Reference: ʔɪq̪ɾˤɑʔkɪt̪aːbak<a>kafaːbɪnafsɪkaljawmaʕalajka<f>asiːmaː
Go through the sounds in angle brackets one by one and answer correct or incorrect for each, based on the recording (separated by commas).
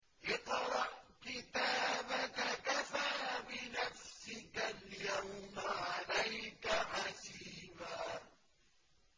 correct, incorrect